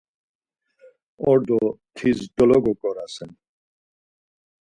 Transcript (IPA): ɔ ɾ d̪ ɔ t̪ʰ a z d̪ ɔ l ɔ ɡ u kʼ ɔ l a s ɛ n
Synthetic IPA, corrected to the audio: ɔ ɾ d̪ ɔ t̪ʰ i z d̪ ɔ l ɔ ɡ ɔ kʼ ɔ ɾ a s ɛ n